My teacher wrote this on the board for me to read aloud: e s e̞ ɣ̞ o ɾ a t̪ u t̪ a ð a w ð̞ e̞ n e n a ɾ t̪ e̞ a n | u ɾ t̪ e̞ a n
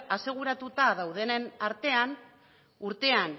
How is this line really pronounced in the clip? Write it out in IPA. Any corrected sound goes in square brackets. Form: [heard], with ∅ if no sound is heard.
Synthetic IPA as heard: [a] s e̞ ɣ̞ [u] ɾ a t̪ u t̪ a ð a w ð̞ e̞ n e n a ɾ t̪ e̞ a n | u ɾ t̪ e̞ a n